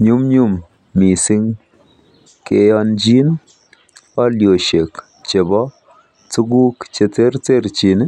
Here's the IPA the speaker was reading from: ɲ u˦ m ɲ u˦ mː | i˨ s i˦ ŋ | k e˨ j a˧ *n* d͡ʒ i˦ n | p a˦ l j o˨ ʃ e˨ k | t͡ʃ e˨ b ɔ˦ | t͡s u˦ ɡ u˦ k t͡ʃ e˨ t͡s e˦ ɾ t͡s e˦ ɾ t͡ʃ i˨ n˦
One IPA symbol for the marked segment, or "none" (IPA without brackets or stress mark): n